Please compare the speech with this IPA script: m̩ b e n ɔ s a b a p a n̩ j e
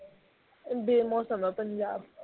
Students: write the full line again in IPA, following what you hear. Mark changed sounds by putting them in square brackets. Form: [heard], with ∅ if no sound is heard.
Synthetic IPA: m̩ b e [m] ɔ s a [m] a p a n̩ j [a]